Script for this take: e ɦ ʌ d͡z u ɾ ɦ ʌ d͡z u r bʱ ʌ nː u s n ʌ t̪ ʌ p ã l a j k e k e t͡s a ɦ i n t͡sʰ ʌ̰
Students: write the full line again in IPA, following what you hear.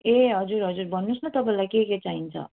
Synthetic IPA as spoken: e ɦ ʌ d͡z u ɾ ɦ ʌ d͡z u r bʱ ʌ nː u s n ʌ t̪ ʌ p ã l a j k e k e t͡s a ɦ i n t͡sʰ ʌ̰